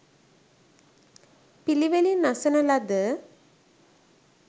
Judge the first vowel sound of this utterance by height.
high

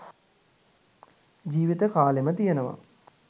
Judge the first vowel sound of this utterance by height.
high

